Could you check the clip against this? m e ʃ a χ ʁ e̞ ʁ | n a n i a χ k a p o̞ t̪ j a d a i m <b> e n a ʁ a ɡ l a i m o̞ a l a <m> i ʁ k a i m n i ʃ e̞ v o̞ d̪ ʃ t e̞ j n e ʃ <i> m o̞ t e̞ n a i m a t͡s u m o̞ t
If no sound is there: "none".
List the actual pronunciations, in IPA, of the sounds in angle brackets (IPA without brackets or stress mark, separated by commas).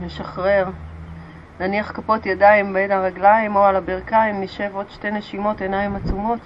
b, b, i